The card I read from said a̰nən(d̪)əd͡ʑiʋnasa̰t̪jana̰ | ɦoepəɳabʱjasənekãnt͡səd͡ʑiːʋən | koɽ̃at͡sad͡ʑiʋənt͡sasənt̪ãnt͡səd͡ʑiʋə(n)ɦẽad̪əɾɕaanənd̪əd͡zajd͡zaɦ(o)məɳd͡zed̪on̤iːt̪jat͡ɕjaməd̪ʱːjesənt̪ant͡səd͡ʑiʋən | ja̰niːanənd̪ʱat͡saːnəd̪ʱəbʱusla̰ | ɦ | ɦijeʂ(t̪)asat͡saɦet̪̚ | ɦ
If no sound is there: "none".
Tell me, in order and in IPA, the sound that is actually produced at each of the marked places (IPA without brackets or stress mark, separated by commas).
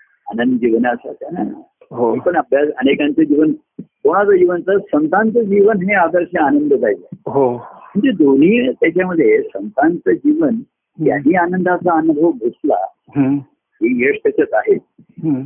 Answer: d̪, n, o, t̪